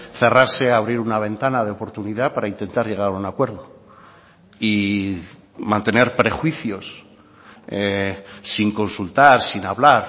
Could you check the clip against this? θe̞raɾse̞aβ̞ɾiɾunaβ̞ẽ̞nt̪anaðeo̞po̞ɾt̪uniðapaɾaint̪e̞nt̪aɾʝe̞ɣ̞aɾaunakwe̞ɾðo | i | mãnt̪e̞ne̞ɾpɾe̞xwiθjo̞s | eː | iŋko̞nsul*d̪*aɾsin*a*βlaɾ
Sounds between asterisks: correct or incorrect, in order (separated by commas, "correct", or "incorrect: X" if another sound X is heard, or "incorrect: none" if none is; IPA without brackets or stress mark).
incorrect: t̪, correct